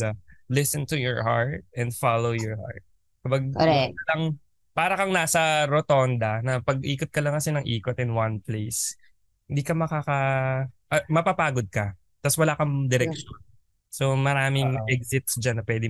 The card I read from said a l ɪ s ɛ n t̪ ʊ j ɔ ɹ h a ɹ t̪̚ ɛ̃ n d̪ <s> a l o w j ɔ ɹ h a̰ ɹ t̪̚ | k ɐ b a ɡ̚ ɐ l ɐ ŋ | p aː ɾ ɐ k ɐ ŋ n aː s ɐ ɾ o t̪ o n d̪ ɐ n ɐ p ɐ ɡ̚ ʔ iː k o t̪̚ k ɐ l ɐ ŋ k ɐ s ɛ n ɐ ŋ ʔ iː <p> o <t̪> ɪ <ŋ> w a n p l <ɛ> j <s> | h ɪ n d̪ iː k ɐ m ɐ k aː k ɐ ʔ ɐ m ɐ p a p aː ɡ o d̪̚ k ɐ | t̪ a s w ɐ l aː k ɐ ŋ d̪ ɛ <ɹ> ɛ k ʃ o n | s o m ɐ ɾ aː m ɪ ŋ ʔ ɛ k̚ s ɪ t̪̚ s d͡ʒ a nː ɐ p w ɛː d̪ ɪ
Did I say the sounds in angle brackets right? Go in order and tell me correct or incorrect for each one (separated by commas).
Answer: incorrect, incorrect, correct, incorrect, incorrect, correct, incorrect